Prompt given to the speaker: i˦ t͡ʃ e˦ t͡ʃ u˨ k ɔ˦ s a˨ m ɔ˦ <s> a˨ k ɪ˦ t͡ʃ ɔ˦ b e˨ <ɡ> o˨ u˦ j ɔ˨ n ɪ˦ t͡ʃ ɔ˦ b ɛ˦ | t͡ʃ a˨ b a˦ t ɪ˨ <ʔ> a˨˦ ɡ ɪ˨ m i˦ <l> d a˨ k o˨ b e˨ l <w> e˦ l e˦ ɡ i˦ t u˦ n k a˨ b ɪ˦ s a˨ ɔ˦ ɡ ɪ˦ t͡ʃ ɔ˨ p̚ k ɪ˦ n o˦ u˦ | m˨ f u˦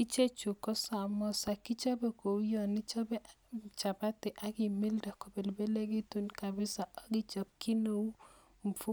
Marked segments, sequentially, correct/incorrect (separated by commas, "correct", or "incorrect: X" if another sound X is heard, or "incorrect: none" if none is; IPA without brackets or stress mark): correct, incorrect: k, correct, correct, incorrect: b